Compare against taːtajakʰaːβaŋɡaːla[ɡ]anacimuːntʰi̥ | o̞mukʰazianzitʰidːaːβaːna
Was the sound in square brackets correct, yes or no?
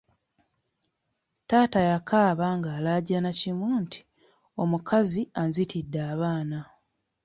no